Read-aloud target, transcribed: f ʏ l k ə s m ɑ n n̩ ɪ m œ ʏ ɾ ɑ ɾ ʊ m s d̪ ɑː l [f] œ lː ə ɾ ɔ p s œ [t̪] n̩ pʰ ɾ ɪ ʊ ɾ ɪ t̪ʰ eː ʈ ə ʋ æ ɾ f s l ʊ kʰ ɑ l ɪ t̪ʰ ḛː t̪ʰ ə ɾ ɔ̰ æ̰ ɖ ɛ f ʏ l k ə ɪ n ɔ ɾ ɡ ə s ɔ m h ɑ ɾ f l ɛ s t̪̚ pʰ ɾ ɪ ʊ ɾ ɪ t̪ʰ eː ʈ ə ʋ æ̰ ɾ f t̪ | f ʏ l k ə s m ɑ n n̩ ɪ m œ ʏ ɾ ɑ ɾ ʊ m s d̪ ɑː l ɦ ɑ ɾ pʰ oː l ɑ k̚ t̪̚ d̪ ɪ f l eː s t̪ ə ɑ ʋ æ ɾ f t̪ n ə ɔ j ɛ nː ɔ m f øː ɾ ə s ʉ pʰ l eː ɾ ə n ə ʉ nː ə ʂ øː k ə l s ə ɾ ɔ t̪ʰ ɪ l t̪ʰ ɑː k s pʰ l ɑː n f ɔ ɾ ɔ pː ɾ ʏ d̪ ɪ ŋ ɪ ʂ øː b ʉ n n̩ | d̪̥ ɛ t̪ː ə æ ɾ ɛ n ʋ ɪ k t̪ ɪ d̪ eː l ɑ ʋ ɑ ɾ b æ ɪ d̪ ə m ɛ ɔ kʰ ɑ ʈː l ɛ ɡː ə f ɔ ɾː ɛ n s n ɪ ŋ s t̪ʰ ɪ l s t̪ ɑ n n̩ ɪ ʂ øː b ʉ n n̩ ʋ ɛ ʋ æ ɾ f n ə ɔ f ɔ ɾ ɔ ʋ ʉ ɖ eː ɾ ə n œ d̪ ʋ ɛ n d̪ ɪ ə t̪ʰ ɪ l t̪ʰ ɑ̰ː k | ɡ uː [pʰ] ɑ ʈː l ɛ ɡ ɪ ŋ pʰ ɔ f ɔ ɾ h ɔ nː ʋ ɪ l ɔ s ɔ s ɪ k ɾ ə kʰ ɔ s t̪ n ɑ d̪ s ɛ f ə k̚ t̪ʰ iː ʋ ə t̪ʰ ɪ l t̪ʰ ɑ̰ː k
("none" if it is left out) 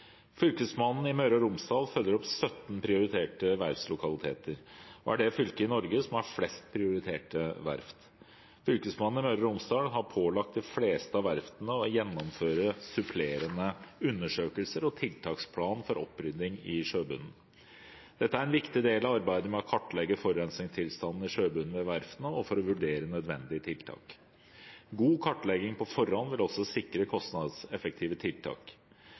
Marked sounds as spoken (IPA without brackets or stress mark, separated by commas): f, t̪, kʰ